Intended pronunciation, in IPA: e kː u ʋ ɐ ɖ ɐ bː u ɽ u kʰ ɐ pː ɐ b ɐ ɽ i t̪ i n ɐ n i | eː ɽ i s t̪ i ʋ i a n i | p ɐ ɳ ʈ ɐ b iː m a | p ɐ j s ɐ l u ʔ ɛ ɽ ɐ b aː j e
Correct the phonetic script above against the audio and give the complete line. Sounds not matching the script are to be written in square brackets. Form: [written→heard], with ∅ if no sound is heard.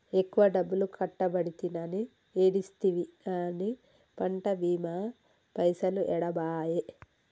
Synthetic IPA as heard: e kː u ʋ ɐ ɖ ɐ bː u [ɽ→l] u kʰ ɐ [pː→ʈː] ɐ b ɐ ɽ i t̪ i n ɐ n i | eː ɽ i s t̪ i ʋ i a n i | p ɐ ɳ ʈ ɐ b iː m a | p ɐ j s ɐ l u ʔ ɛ ɽ ɐ b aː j e